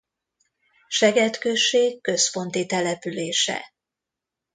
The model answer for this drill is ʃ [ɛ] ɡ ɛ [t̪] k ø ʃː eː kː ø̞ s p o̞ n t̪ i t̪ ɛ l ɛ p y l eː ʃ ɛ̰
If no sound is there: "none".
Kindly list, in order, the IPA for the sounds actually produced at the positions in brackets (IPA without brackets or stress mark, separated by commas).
ɛ, t̪